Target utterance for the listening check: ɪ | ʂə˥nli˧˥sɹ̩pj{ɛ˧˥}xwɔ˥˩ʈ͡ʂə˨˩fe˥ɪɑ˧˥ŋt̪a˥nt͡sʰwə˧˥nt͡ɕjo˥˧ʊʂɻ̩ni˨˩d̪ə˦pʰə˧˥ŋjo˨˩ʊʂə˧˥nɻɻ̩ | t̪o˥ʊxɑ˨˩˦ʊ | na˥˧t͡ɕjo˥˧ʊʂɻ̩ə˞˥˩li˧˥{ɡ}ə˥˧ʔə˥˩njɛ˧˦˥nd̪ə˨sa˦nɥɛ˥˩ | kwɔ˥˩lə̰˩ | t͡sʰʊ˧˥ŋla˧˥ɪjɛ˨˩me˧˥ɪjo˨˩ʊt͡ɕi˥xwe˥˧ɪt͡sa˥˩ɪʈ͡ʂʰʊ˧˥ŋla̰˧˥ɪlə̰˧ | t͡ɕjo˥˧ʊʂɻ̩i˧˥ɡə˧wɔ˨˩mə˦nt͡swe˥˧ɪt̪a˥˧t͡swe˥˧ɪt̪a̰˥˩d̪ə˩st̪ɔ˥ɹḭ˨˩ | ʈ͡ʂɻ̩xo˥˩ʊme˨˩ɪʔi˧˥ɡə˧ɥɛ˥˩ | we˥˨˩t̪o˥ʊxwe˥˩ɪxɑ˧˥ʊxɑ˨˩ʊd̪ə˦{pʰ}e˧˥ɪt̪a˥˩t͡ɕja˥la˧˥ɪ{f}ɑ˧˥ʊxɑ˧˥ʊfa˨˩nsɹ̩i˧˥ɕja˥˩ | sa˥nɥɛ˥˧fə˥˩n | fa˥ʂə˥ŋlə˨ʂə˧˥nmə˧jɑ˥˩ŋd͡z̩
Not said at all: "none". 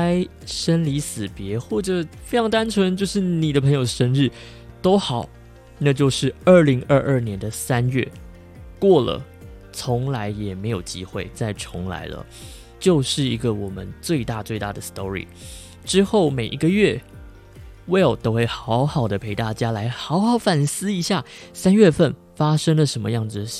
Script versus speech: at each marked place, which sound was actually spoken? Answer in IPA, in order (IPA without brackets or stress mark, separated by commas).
ɛ˧˥, ŋ, pʰ, x